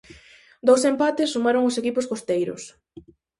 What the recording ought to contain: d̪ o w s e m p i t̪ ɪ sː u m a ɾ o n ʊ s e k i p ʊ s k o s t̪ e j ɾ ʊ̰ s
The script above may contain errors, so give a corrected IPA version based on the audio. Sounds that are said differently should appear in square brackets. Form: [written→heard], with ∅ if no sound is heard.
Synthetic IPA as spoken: d̪ o w s e m p [i→a] t̪ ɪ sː u m a ɾ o [n→ŋ] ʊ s e k i p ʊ s k o s t̪ e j ɾ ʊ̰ s